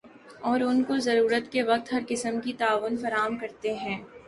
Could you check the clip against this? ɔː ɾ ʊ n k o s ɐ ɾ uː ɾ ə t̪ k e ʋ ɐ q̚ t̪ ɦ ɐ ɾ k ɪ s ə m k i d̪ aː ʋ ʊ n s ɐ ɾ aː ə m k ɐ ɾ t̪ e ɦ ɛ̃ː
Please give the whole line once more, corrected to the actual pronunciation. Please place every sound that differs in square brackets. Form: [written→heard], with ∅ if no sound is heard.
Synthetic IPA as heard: ɔː ɾ ʊ n k o [s→z] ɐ ɾ uː ɾ ə t̪ k e ʋ ɐ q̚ t̪ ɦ ɐ ɾ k ɪ s ə m k i [d̪→t̪] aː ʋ ʊ n [s→f] ɐ ɾ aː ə m k ɐ ɾ t̪ e ɦ ɛ̃ː